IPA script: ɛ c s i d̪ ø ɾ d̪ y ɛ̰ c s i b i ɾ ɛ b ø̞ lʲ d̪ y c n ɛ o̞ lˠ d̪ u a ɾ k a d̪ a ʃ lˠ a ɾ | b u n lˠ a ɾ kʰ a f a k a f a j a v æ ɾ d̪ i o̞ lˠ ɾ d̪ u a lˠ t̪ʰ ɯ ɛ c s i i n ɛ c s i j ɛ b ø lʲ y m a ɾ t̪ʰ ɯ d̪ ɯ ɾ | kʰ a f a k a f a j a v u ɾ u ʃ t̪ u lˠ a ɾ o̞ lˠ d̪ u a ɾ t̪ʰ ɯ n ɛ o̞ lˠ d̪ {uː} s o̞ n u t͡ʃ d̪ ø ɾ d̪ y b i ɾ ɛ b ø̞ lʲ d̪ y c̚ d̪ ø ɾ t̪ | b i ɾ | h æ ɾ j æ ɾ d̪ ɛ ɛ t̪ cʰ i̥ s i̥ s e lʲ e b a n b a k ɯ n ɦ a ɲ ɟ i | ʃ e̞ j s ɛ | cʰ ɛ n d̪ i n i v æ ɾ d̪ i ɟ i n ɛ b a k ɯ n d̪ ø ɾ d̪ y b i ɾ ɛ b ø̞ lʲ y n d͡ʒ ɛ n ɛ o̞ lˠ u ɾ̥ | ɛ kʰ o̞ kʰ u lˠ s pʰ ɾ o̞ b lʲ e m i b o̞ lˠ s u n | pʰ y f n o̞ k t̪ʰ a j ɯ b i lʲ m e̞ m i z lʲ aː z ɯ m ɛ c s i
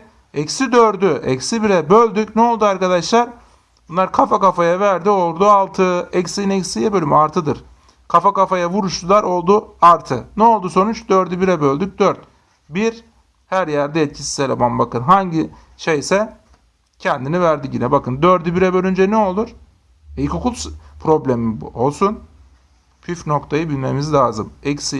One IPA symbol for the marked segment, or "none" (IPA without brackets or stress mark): u